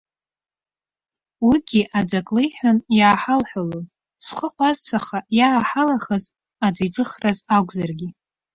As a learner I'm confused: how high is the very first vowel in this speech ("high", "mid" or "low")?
high